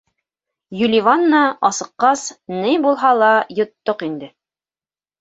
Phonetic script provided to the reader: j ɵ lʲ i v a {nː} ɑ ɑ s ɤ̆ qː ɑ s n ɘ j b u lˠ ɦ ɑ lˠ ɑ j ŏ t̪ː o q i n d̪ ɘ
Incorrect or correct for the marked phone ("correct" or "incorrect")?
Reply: correct